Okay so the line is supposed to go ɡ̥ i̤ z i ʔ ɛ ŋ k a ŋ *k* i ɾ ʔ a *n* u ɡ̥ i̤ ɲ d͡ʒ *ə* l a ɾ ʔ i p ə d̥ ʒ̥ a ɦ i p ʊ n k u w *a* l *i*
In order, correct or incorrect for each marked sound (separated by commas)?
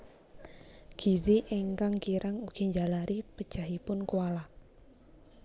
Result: correct, incorrect, incorrect, correct, incorrect